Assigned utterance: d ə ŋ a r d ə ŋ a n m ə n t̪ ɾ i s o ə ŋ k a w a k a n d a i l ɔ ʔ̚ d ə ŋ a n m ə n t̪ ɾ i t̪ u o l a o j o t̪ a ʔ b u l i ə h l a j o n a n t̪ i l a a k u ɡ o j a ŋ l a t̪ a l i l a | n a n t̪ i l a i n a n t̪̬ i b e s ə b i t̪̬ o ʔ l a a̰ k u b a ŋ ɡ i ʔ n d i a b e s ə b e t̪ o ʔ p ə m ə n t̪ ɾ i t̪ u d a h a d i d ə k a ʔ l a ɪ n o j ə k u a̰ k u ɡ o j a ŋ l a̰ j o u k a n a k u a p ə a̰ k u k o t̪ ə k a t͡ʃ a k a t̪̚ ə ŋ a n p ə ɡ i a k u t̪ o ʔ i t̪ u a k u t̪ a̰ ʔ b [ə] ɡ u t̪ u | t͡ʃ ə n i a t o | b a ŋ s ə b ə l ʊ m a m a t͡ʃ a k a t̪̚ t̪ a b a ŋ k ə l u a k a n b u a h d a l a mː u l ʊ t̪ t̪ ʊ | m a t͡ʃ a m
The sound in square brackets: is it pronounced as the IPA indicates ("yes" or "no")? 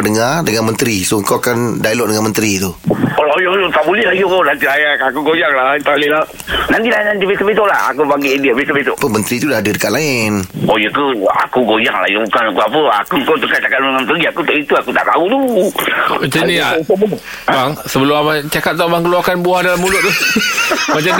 no